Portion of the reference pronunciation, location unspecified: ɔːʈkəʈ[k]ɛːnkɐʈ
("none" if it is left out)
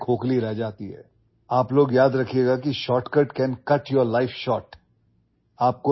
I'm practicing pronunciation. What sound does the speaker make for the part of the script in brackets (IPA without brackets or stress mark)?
k